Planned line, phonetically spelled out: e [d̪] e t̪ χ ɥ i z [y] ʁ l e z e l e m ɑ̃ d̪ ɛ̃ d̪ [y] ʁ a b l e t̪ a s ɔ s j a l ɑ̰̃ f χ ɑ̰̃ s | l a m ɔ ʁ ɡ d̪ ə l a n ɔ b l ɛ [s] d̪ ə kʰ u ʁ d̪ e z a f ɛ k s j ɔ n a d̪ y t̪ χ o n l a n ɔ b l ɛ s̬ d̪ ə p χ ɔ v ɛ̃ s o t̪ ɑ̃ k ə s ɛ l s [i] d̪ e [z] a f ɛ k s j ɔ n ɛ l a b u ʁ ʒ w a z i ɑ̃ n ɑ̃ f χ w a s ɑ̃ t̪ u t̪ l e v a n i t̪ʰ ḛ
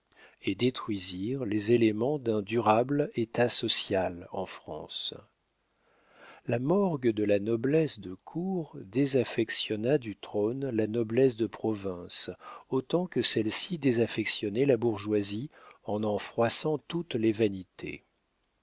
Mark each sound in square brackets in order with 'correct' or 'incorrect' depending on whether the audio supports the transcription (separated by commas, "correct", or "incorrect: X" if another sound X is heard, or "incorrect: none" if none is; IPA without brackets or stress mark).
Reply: correct, incorrect: i, correct, correct, correct, correct